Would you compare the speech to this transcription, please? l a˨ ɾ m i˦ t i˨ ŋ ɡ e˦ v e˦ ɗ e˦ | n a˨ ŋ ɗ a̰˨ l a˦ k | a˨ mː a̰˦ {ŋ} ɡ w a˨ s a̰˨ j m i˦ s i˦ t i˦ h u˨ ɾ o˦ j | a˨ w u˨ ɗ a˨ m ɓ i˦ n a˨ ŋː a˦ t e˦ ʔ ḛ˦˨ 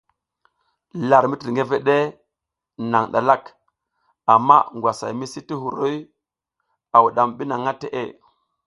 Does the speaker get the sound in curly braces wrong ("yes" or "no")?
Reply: no